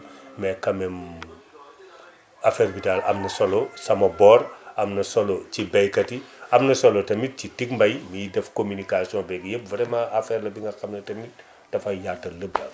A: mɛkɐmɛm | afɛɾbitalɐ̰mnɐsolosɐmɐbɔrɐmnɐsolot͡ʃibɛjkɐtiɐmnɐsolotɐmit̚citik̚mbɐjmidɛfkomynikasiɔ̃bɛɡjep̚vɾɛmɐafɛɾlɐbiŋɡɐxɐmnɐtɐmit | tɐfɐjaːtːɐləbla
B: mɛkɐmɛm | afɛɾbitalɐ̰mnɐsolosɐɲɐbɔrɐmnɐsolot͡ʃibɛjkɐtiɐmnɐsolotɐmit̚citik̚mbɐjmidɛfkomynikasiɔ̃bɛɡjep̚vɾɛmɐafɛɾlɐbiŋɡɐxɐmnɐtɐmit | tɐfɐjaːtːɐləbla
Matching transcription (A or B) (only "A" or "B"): A